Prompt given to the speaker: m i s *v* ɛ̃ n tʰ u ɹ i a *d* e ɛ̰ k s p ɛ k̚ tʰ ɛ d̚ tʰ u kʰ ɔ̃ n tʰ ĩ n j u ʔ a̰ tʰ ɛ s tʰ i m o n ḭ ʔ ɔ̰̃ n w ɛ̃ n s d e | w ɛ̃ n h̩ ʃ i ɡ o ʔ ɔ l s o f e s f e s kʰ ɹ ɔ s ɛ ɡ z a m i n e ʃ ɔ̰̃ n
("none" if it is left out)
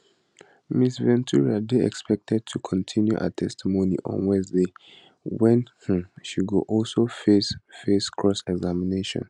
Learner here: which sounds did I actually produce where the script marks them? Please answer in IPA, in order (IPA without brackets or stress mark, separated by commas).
v, d